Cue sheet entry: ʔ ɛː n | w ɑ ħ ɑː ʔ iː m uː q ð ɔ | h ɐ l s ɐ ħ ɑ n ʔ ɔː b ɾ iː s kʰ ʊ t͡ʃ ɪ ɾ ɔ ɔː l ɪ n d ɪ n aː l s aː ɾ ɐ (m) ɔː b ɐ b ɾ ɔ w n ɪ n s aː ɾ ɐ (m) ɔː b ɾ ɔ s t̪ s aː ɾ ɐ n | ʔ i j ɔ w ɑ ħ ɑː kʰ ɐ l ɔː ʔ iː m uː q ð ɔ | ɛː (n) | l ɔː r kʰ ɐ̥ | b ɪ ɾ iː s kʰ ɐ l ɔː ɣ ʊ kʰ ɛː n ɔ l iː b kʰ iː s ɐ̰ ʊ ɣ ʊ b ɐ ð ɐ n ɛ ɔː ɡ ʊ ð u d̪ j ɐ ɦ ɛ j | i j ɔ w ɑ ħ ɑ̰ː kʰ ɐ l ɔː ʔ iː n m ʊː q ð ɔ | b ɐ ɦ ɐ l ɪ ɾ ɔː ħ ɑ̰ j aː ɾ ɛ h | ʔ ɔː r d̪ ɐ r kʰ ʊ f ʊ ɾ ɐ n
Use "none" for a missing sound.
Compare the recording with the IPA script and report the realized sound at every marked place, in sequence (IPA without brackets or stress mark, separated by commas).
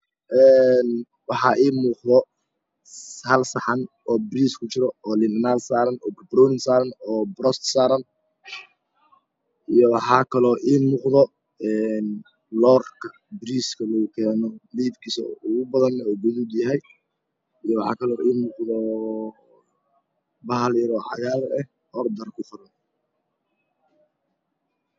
n, n, n